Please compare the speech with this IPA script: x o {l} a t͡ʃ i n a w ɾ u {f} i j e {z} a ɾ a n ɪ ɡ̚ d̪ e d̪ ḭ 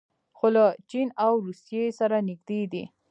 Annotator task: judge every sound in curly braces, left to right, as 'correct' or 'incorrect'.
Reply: correct, incorrect, incorrect

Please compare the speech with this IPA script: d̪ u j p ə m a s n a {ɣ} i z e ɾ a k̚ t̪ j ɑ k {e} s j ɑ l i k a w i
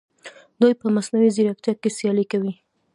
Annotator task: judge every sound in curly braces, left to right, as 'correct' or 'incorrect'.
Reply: incorrect, correct

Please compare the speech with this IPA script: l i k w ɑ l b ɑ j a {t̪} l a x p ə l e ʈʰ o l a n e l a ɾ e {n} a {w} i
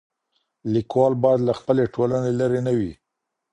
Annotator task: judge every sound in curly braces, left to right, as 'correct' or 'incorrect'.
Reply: incorrect, correct, correct

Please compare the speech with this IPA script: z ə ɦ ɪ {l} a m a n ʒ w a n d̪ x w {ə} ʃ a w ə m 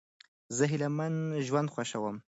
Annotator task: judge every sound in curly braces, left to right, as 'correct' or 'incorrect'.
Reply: correct, incorrect

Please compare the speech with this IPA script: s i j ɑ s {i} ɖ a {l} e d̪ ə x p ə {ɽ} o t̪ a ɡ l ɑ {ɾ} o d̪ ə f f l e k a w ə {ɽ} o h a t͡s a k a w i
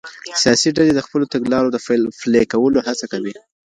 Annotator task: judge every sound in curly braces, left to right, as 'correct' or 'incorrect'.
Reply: correct, correct, incorrect, correct, incorrect

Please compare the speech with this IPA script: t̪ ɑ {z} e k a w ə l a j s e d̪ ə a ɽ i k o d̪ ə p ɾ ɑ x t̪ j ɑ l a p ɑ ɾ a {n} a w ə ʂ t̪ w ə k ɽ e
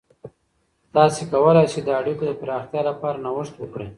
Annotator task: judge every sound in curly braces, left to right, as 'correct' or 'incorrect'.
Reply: incorrect, correct

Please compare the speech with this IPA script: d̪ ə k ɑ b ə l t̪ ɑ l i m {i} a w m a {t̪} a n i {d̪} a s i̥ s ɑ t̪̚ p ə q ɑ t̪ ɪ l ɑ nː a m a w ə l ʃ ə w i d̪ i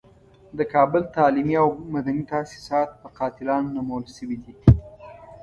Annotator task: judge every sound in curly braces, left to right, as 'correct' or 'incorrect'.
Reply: correct, incorrect, incorrect

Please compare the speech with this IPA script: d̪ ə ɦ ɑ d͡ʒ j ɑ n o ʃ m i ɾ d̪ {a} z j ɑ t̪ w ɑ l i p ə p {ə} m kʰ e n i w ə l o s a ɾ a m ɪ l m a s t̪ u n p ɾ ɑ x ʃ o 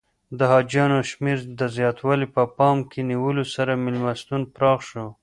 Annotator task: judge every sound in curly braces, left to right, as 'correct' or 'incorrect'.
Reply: incorrect, incorrect

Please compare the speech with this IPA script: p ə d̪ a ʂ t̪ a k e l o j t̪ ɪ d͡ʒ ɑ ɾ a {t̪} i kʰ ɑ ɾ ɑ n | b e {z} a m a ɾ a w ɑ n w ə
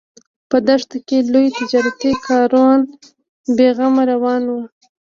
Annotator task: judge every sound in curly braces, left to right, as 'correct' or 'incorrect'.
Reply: correct, incorrect

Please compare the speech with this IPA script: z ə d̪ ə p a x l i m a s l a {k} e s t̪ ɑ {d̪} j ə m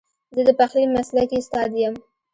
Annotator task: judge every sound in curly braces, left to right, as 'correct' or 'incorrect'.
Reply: correct, correct

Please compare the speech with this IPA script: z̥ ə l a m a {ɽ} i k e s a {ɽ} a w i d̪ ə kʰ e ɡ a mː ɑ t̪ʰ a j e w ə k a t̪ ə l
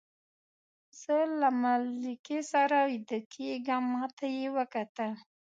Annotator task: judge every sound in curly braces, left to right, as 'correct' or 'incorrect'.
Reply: incorrect, incorrect

